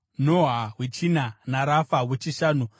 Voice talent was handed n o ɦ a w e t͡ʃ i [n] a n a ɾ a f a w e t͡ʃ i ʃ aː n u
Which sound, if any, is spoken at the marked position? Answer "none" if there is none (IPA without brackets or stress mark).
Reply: n